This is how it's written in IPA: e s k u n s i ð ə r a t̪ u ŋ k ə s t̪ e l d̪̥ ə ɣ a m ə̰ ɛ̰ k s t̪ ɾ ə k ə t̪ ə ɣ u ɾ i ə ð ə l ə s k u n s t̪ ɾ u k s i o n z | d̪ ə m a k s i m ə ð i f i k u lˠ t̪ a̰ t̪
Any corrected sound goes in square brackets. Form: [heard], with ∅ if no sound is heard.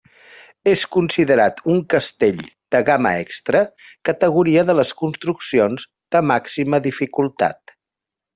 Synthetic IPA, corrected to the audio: e s k u n s i ð ə [ɾ] a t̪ u ŋ k ə s t̪ e [ʎ] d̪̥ ə ɣ a m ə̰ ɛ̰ k s t̪ ɾ ə k ə t̪ ə ɣ u ɾ i ə ð ə l ə s k u n s t̪ ɾ u k s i o n z | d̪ ə m a k s i m ə ð i f i k u lˠ t̪ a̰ t̪